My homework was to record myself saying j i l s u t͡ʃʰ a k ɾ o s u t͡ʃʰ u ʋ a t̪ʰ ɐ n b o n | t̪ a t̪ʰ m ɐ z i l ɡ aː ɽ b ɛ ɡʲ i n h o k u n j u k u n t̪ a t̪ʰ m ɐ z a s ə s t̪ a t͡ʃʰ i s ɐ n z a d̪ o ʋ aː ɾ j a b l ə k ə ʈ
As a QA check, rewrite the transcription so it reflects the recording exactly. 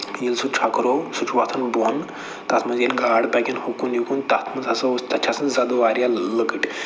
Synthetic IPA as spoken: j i l s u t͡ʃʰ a k ɾ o s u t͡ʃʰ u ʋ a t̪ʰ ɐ n b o n | t̪ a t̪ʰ m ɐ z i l ɡ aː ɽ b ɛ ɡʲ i n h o k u n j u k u n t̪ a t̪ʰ m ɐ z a s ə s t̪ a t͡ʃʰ a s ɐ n z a d̪ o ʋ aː ɾ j a l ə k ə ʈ